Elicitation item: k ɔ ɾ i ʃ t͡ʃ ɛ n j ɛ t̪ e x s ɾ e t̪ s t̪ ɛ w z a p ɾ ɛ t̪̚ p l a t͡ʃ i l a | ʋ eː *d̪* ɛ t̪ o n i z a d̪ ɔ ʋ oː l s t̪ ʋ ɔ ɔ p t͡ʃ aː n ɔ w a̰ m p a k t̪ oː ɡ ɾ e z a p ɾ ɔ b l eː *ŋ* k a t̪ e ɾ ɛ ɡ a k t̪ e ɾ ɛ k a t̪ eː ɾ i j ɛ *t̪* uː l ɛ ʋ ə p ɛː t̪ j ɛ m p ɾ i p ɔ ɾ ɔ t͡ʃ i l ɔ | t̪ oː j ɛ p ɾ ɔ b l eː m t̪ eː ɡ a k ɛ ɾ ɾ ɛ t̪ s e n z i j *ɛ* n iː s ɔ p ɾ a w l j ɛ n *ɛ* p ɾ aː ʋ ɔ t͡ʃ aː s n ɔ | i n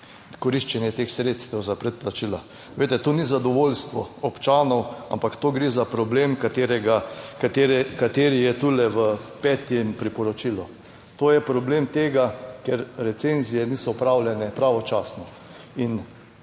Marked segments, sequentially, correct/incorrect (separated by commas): incorrect, incorrect, correct, correct, correct